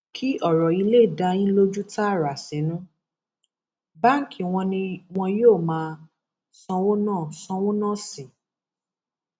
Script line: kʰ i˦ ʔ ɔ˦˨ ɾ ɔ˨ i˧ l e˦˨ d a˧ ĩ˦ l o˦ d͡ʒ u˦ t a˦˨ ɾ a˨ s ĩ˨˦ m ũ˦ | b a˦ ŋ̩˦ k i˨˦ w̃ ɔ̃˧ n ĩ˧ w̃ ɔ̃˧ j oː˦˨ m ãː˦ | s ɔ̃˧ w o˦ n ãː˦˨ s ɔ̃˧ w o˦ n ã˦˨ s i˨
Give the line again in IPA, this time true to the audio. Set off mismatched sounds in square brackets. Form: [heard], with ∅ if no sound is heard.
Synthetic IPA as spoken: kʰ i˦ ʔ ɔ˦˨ ɾ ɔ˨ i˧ l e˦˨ d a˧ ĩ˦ l o˦ d͡ʒ u˦ t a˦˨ ɾ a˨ s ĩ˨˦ [n] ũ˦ | b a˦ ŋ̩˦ k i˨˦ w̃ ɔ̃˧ n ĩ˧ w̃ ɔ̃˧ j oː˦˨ m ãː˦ | s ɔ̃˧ w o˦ n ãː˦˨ s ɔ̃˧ w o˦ n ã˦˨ s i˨